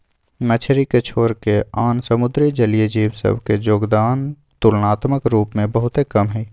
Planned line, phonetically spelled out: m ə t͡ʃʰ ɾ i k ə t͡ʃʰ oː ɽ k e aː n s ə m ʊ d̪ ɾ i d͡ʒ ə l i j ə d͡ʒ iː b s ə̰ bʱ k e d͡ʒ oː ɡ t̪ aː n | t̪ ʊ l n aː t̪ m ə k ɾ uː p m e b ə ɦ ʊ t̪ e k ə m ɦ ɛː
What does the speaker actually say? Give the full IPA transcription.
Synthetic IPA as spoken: m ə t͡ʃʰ ɾ i k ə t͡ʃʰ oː ɾ k e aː n s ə m ʊ d̪ ɾ i d͡ʒ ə l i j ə d͡ʒ iː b s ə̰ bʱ k e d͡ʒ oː ɡ d̪ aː n | t̪ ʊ l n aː t̪ m ə k ɾ uː p m ẽ b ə ɦ ʊ t̪ e k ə m ɦ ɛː